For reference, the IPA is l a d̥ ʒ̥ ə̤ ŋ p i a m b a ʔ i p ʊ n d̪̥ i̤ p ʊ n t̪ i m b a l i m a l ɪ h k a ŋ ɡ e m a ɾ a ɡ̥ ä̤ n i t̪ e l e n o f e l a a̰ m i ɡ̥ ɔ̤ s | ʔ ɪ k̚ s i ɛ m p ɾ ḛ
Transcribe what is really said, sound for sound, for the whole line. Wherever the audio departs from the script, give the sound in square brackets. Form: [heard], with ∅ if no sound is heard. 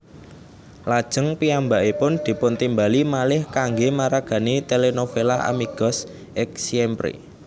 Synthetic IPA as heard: l a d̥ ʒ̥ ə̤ ŋ p i a m b a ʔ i p ʊ n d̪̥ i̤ p ʊ n t̪ i m b a l i m a l ɪ h k a ŋ ɡ e m a ɾ a ɡ̥ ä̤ n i t̪ e l e n o f e l a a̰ m i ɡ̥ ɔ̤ s | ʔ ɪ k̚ s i ɛ m p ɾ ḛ